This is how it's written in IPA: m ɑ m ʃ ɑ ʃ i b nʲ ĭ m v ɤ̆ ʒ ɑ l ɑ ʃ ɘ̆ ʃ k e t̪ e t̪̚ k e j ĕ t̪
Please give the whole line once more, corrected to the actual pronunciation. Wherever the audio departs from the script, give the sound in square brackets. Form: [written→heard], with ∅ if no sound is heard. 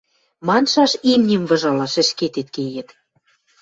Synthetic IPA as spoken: m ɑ [m→n] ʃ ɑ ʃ i [b→m] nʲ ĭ m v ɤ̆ ʒ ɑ l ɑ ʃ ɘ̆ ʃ k e t̪ e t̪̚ k e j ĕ t̪